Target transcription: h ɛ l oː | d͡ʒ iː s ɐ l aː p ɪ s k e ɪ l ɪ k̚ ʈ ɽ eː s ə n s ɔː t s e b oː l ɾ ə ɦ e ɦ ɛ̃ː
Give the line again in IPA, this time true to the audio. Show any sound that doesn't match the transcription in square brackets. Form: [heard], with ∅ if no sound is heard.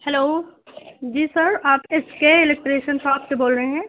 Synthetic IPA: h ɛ l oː | d͡ʒ iː s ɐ [ɾ] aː p ɪ s k e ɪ l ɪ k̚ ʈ [ɾ] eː [ʃ] ə n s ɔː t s e b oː l ɾ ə ɦ e ɦ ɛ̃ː